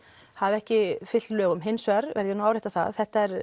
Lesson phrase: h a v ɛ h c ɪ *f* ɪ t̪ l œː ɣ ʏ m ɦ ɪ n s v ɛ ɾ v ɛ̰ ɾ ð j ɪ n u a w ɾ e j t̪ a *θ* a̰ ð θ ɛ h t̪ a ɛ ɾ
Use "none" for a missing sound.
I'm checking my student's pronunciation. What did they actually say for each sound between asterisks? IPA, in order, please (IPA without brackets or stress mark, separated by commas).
f, θ